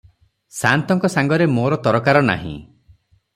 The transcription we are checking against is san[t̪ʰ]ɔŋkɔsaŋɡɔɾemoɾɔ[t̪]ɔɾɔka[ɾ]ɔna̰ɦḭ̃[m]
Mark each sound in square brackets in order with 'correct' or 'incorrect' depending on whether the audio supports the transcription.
incorrect: t̪, correct, correct, incorrect: none

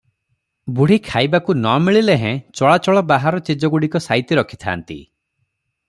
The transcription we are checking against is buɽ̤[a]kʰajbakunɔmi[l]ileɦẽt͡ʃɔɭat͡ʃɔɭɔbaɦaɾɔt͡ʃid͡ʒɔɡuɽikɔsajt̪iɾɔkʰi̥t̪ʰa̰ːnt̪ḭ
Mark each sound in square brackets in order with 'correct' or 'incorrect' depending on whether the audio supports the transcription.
incorrect: i, incorrect: ɭ

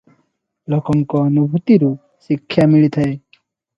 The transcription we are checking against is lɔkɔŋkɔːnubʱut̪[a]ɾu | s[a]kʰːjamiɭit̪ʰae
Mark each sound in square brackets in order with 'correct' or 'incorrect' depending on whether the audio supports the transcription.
incorrect: i, incorrect: i

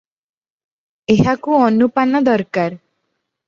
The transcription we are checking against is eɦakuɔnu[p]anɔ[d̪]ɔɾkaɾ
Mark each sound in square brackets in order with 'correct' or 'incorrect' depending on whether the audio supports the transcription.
correct, correct

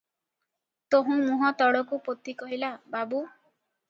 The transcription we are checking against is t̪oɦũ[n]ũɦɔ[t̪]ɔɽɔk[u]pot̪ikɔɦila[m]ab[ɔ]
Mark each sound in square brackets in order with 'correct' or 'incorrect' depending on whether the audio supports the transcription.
incorrect: m, correct, correct, incorrect: b, incorrect: u

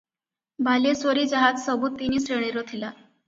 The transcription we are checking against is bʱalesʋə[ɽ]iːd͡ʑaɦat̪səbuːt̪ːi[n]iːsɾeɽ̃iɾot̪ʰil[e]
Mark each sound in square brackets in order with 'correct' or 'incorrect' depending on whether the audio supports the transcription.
incorrect: ɾ, correct, incorrect: a

